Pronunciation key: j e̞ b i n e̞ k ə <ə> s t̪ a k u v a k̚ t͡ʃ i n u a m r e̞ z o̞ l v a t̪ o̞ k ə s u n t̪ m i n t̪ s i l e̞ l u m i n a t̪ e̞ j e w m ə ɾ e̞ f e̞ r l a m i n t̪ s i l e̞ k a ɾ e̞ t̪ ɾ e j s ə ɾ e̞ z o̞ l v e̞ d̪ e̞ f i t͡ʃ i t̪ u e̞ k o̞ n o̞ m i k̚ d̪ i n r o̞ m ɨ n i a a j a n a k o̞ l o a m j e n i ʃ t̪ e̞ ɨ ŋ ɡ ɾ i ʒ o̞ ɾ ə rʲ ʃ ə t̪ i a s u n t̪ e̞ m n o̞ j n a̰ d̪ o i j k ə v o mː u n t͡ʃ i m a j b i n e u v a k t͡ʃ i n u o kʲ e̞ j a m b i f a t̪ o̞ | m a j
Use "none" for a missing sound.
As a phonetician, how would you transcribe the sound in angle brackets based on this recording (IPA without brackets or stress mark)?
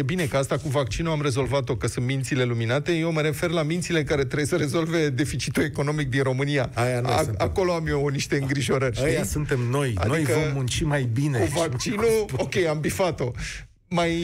a